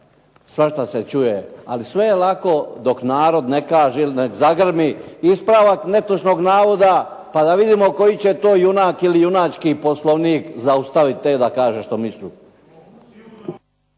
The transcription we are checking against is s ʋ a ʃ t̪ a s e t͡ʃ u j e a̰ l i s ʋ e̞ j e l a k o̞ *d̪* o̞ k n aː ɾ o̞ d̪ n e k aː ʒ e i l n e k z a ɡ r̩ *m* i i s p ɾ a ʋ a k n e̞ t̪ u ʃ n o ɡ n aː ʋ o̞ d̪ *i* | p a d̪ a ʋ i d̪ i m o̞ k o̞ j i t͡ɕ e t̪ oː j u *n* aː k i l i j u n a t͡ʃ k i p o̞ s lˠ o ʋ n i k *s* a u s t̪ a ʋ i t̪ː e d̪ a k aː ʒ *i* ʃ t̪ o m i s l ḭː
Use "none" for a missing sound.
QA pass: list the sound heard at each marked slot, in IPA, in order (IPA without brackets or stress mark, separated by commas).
d̪, m, a, n, z, e